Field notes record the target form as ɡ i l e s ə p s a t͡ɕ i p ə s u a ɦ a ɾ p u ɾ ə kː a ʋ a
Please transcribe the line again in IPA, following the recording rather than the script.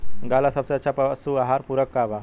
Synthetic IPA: ɡ a l a s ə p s a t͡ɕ a p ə s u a ɦ a ɾ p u ɾ ə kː a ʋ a